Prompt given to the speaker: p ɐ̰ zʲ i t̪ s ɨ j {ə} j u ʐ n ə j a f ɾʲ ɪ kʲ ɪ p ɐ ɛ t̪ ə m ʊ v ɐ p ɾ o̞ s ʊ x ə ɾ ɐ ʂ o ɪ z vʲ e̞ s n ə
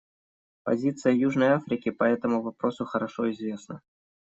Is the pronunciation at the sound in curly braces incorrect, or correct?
correct